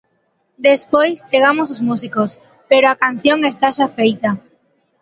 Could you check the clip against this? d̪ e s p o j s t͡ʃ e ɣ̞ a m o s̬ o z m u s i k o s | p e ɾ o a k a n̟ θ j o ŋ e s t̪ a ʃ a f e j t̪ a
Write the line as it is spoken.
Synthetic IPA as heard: d̪ e s p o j s t͡ʃ e ɣ̞ a m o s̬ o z m u s i k o s | p e ɾ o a k a n̟ θ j o ŋ e s t̪ a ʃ a f e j t̪ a